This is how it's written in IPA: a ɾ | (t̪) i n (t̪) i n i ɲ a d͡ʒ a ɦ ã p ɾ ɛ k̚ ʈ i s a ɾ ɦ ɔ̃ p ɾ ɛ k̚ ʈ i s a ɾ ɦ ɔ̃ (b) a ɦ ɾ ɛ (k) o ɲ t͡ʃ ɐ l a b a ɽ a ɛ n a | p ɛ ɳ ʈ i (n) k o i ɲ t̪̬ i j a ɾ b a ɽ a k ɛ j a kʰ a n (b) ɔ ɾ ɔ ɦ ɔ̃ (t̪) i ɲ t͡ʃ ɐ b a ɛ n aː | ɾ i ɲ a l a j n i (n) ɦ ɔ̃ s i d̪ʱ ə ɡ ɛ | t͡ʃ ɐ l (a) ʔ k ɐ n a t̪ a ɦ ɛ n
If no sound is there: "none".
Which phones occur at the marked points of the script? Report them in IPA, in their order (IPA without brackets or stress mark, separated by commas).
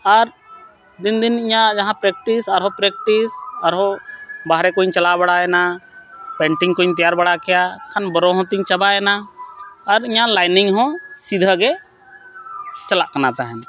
d̪, d̪, b, k, ŋ, b, t̪, ŋ, a